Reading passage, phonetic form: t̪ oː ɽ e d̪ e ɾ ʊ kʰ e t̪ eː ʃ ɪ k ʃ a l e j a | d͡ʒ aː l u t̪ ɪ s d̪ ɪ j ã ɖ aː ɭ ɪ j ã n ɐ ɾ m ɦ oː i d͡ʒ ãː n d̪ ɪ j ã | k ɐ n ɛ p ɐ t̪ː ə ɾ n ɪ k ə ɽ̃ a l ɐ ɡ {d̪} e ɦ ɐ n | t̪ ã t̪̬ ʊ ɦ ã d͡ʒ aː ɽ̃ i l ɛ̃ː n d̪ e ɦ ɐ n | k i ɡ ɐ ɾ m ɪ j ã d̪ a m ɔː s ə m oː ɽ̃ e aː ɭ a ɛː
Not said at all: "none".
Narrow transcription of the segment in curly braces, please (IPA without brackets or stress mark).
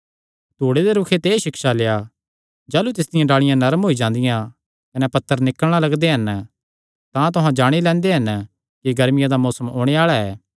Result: d̪